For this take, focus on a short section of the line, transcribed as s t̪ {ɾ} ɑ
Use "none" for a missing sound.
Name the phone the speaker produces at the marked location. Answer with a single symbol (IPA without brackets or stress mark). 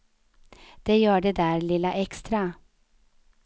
ɾ